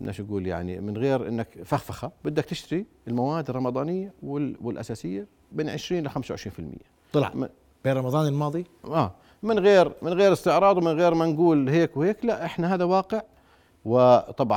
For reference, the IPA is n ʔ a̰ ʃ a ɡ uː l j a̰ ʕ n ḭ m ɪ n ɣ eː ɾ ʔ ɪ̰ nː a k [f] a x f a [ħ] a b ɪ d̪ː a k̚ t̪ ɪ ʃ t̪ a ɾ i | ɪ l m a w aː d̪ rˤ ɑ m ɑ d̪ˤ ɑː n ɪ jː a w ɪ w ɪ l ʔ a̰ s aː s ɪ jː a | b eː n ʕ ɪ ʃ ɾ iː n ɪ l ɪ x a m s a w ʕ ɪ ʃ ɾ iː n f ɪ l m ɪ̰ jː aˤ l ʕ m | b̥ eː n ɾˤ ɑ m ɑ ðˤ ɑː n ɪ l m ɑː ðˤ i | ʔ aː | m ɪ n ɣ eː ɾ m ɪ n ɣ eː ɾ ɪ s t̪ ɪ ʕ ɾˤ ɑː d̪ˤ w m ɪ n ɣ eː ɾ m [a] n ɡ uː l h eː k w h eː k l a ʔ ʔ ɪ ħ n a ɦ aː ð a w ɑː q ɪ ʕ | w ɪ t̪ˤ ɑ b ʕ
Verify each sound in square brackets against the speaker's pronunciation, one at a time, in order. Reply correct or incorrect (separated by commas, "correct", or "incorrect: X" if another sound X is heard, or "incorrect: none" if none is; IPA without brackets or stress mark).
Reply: correct, incorrect: x, correct